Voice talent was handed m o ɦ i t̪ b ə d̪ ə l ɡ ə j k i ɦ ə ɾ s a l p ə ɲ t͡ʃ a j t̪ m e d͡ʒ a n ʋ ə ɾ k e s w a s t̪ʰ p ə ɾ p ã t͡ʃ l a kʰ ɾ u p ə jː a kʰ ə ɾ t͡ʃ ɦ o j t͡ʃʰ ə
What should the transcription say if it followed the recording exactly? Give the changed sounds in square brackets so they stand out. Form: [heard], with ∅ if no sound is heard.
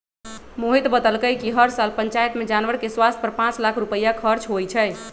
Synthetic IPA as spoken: m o ɦ i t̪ b ə d̪ ə l [k] ə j k i ɦ ə ɾ s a l p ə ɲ t͡ʃ a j t̪ m e d͡ʒ a n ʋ ə ɾ k e s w a s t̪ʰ p ə ɾ p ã t͡ʃ l a kʰ ɾ u p ə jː a kʰ ə ɾ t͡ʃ ɦ o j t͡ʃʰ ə